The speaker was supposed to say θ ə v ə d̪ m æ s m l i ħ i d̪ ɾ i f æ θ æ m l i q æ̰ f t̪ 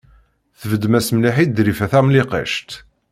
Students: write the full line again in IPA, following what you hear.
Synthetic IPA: θ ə v ə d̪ m æ s m l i ħ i d̪ ɾ i f æ θ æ m l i q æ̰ ʃ t̪

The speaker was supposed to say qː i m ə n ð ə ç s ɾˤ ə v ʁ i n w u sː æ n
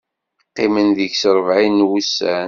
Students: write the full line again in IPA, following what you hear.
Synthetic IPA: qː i m ə n ð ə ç s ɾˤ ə v ʕ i n w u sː æ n

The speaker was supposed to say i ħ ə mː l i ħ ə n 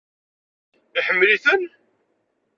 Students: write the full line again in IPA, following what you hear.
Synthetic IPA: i ħ ə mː l i θ ə n

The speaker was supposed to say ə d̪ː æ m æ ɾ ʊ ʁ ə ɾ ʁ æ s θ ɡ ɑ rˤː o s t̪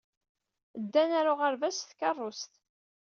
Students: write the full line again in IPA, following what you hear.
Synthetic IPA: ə d̪ː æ n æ ɾ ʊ ʁ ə ɾ v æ s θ k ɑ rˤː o s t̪

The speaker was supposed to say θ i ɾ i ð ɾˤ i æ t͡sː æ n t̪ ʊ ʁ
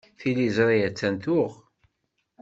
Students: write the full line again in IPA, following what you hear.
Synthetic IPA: θ i l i z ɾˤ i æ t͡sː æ n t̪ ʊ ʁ

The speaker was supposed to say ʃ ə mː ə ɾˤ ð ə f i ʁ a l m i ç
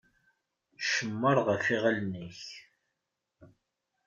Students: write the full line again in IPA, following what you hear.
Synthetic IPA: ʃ ə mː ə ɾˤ ʁ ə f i ʁ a l n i ç

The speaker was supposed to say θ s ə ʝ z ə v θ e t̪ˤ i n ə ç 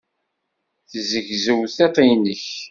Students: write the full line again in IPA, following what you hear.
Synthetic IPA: θ z ə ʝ z ə w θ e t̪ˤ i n ə ç

